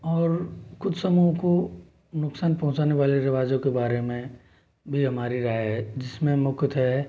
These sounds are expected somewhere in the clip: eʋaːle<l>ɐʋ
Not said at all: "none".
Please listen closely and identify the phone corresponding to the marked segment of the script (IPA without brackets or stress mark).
ɾ